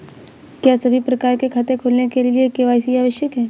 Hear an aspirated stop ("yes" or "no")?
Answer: yes